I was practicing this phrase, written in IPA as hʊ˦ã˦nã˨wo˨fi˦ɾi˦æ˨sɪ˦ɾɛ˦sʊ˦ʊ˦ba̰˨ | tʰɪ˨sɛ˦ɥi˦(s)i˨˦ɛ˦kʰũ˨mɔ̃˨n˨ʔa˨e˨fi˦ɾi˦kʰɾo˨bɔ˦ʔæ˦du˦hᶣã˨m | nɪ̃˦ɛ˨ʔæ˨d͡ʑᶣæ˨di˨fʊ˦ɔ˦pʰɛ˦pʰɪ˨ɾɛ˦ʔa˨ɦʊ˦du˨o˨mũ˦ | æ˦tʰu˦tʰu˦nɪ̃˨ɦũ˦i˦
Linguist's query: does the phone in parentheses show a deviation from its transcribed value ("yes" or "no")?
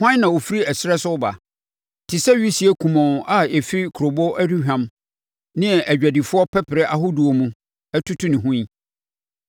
no